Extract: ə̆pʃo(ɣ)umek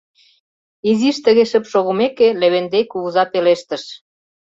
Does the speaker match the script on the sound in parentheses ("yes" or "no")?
yes